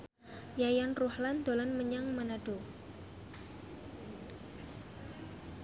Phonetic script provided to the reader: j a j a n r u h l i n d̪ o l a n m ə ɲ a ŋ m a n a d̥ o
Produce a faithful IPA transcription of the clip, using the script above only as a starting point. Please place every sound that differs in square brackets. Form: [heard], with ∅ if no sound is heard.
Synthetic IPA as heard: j a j a n r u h l [a] n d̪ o l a n m ə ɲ a ŋ m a n a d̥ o